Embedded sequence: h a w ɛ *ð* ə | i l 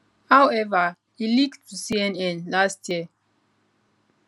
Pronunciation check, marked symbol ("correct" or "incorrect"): incorrect